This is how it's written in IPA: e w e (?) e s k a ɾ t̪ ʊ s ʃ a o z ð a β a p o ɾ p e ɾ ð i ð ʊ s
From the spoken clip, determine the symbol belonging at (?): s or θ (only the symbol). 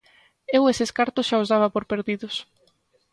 s